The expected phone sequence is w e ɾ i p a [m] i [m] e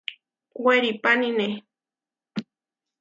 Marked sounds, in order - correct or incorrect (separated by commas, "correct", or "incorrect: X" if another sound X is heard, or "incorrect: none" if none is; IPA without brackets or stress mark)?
incorrect: n, incorrect: n